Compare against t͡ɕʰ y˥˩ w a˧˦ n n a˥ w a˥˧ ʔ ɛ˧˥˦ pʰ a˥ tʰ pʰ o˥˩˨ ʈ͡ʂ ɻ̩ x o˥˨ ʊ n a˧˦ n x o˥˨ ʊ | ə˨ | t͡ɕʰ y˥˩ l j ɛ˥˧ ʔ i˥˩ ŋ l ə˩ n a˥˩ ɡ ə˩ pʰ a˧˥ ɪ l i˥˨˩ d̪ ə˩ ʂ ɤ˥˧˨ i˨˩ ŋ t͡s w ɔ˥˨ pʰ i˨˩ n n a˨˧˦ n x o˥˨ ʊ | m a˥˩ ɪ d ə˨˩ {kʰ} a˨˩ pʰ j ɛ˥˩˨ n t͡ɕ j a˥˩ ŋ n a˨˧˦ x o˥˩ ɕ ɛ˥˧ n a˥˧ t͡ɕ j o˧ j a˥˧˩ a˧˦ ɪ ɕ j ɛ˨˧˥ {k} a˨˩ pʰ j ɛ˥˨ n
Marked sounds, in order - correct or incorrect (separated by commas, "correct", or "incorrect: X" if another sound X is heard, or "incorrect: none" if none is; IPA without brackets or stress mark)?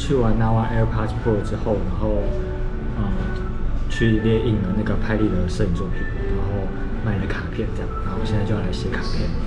correct, incorrect: kʰ